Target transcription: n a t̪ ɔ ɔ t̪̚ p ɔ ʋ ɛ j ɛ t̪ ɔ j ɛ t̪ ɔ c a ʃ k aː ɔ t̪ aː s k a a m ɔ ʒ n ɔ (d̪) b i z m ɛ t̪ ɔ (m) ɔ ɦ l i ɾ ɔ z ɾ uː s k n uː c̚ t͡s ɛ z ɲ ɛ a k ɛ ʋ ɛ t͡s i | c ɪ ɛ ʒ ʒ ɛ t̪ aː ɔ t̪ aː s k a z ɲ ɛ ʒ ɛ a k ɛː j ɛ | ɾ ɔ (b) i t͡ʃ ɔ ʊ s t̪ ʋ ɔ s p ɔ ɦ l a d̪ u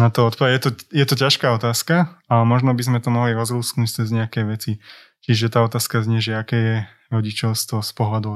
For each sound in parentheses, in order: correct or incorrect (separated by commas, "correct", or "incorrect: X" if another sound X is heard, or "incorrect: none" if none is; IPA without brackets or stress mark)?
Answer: incorrect: none, correct, incorrect: ɟ